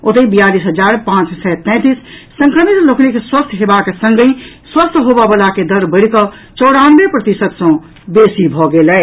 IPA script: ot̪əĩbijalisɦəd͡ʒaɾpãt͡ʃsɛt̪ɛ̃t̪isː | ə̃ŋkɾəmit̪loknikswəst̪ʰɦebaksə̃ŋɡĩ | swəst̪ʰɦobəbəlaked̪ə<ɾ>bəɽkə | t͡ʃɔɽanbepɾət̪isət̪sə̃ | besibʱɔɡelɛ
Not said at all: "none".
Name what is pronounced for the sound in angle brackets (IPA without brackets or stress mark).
ɾ